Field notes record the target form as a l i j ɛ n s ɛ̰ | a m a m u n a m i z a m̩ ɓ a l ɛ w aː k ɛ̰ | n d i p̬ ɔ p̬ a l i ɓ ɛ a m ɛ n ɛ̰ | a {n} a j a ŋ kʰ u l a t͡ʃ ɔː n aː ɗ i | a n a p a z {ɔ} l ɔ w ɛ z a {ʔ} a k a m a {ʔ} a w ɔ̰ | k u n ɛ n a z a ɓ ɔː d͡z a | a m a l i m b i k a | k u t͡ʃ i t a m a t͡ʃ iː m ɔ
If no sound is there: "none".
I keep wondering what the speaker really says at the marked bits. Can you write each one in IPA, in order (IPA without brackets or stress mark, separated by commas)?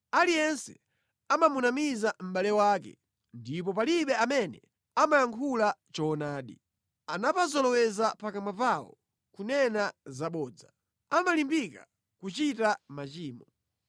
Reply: m, ɔ, p, p